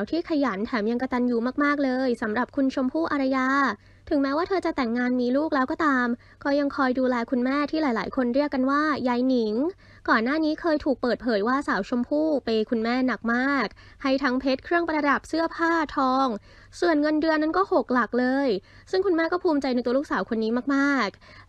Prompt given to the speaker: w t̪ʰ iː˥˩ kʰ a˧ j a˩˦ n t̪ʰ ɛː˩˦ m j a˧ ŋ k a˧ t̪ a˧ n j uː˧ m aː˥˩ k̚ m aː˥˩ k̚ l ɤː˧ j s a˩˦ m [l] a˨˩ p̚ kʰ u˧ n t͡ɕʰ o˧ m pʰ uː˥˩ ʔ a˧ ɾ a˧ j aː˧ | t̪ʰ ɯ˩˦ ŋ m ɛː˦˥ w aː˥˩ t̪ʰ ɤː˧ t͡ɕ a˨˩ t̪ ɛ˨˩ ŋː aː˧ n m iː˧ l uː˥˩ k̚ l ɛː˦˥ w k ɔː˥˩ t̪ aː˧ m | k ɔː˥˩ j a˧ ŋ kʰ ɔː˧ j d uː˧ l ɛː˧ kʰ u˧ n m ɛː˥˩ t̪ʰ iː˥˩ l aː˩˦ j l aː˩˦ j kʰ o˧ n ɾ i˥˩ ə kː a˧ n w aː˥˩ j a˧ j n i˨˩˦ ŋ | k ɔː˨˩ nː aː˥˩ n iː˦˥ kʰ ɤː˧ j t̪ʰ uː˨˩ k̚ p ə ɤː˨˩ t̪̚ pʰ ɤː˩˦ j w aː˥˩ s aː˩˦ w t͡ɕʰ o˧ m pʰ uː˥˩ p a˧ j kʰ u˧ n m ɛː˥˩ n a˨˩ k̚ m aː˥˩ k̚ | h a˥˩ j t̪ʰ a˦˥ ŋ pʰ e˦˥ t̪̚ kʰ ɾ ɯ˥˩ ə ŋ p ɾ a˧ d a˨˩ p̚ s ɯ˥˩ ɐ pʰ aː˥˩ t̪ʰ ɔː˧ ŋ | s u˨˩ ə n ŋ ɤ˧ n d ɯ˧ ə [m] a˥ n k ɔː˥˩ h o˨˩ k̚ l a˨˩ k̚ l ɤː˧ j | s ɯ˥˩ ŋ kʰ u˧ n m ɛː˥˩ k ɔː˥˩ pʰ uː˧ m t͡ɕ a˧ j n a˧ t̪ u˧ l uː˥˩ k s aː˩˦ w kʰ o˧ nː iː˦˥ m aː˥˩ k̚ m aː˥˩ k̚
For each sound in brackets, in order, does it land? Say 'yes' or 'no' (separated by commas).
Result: no, no